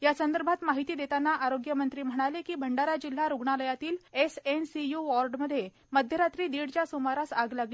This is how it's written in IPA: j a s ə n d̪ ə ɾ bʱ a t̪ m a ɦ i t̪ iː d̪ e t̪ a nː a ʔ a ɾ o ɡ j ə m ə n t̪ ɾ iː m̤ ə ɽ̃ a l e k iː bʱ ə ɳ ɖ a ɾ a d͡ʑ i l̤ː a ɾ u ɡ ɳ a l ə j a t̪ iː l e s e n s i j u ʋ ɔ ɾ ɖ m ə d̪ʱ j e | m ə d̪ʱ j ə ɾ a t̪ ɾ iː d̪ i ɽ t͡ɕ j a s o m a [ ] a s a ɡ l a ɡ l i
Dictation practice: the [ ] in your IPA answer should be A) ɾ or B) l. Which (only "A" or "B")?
A